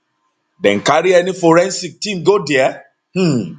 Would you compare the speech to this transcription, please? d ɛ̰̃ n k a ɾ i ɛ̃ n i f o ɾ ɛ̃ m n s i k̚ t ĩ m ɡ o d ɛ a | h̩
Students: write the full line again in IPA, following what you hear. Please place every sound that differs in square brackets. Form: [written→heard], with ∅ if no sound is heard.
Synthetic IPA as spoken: d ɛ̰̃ n k a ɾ i [ɛ̃→ɛ] n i f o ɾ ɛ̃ [m→∅] n s i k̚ t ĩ m ɡ o d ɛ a | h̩